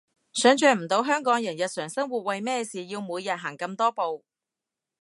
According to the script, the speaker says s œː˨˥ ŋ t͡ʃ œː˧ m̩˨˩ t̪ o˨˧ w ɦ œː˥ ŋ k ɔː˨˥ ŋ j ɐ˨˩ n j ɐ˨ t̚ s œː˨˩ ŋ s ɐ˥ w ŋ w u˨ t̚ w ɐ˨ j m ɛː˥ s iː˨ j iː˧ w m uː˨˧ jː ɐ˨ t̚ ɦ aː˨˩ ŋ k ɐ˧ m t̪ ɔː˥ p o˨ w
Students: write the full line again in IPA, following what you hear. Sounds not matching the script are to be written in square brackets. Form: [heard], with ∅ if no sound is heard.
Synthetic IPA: s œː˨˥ ŋ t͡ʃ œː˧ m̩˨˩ t̪ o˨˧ w ɦ œː˥ ŋ k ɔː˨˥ ŋ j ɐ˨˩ n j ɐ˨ t̚ s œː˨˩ ŋ s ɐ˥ [∅] ŋ w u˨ t̚ w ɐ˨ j m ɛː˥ s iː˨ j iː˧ w m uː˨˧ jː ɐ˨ t̚ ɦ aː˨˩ ŋ k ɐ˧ m t̪ ɔː˥ p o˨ w